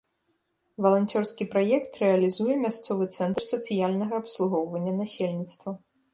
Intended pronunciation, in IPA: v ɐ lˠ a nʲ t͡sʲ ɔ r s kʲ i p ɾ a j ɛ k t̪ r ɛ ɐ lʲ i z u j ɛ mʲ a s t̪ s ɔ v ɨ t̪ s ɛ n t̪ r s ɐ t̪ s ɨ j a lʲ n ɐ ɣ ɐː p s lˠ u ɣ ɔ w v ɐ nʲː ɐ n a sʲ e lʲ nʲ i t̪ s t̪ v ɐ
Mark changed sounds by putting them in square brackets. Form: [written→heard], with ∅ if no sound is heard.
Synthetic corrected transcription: v ɐ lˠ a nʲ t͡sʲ ɔ r s kʲ i p ɾ a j ɛ k t̪ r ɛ ɐ lʲ i z u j ɛ mʲ a s t̪ s ɔ v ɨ t̪ s ɛ n t̪ r s ɐ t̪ s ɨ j a lʲ n ɐ ɣ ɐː p s lˠ u ɣ ɔ w v ɐ nʲː ɐ n a sʲ e lʲ nʲ i t̪ s t̪ v ɐ